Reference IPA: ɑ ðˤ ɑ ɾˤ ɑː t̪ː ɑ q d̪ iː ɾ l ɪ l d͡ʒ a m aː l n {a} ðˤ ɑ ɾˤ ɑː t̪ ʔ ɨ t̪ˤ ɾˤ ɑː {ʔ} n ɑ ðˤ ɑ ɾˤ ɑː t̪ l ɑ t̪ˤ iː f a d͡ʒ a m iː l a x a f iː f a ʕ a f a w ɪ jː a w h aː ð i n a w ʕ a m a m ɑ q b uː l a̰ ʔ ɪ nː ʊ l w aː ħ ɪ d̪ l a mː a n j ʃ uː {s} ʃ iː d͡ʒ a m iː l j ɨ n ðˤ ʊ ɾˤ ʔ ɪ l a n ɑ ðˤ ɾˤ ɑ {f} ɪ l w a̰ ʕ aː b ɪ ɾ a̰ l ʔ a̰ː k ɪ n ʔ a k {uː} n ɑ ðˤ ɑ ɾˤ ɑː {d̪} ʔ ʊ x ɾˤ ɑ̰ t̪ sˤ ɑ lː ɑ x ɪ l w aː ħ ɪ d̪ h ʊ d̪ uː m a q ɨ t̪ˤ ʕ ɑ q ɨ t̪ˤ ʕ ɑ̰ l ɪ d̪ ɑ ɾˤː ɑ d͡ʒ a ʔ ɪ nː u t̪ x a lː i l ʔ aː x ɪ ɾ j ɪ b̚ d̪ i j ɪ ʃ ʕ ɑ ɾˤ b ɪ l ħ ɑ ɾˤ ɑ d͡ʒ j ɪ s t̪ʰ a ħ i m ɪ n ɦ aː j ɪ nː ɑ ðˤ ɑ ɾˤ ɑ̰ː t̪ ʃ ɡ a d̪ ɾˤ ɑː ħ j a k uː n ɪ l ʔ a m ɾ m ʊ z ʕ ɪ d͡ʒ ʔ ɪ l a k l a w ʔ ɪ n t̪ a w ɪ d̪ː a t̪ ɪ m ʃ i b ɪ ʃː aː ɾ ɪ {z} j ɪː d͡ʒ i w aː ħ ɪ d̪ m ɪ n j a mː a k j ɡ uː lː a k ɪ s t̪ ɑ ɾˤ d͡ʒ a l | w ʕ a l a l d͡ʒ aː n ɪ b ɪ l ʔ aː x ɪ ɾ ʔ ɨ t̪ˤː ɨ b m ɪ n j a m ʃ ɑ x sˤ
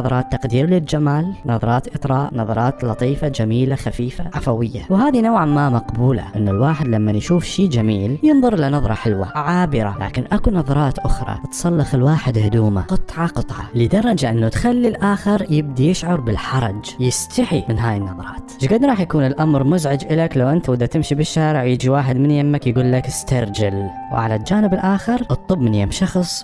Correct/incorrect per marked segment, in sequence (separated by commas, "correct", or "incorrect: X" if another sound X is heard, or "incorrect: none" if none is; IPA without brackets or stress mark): incorrect: ɑ, correct, incorrect: f, incorrect: ħ, incorrect: u, incorrect: t̪, incorrect: ʕ